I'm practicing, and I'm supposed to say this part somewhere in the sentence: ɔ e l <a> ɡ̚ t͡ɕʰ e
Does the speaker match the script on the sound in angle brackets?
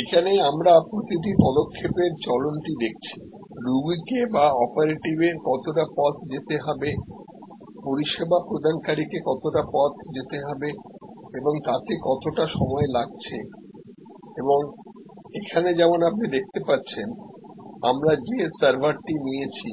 yes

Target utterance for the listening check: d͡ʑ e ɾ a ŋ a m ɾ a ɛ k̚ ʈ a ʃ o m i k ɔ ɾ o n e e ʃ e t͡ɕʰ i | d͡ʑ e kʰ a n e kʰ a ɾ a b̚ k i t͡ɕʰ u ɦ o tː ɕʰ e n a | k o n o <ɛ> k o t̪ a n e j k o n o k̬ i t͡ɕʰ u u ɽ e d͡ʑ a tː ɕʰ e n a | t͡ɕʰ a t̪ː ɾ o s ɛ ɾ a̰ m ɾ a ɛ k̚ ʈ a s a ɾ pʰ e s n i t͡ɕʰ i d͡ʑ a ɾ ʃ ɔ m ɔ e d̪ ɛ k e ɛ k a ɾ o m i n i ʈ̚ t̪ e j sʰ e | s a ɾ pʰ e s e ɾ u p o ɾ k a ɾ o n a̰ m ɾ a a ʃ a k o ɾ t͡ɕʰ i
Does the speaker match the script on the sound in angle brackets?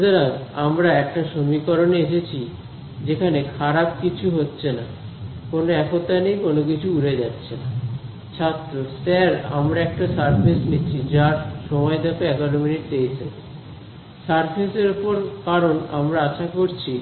yes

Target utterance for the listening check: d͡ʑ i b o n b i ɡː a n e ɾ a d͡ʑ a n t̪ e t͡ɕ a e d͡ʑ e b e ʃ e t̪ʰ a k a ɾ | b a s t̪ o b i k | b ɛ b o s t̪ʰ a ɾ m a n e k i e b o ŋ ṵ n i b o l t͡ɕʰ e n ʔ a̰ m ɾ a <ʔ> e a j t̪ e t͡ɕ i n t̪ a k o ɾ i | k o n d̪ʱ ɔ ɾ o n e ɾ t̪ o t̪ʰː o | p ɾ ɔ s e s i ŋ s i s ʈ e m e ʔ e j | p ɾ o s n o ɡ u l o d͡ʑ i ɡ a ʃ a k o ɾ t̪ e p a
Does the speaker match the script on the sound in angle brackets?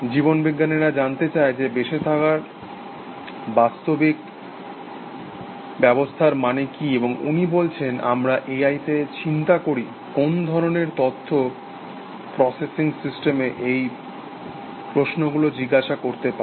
yes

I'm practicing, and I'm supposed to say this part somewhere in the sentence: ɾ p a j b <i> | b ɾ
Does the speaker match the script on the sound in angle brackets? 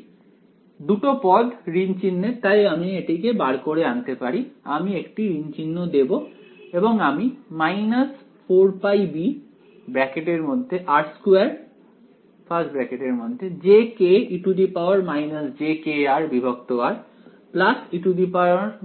yes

